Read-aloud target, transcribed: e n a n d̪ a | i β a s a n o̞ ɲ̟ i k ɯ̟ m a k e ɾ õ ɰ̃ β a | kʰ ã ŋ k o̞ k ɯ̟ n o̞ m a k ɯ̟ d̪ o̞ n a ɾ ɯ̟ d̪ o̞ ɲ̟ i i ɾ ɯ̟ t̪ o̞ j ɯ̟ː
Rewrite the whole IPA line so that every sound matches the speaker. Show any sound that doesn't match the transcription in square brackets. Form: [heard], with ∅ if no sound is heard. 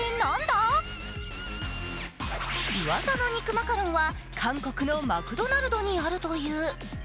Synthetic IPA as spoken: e n a n d̪ a | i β a s a n o̞ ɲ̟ i k ɯ̟ m a k [a] ɾ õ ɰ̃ β a | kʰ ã ŋ k o̞ k ɯ̟ n o̞ m a k ɯ̟ d̪ o̞ n a ɾ ɯ̟ d̪ o̞ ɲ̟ i [a] ɾ ɯ̟ t̪ o̞ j ɯ̟ː